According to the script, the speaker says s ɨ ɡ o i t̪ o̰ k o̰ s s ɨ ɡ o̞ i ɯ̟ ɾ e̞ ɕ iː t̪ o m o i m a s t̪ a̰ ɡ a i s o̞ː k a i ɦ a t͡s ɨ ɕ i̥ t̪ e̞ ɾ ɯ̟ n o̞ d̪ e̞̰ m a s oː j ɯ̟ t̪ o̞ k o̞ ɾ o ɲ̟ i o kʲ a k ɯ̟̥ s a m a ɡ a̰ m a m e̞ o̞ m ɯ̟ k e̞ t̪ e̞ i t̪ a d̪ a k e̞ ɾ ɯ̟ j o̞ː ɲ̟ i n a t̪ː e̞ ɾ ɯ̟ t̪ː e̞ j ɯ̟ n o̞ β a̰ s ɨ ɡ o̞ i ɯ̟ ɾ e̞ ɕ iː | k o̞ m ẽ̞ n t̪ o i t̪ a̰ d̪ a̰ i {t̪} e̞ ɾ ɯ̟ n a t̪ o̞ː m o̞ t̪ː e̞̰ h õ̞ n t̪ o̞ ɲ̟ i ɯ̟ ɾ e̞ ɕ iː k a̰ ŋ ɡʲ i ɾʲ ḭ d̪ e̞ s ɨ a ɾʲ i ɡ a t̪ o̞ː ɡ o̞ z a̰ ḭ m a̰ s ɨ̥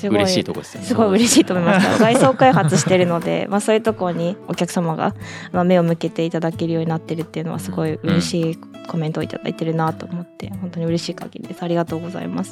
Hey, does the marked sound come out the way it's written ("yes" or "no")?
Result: yes